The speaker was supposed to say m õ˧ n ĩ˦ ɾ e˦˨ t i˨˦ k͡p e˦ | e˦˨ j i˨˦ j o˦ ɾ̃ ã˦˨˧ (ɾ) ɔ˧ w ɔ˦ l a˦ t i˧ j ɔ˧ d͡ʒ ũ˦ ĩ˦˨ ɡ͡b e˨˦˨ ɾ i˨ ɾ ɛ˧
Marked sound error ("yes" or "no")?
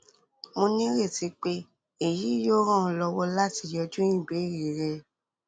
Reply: yes